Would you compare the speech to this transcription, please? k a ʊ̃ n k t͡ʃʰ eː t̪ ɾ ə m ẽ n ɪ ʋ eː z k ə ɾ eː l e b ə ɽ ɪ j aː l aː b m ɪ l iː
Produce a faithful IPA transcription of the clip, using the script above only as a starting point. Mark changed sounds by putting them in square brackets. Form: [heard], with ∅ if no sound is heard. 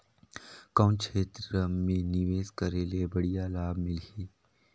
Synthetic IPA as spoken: k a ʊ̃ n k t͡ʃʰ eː t̪ ɾ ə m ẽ n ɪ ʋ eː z k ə ɾ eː l e b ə ɽ [i] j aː l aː b m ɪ l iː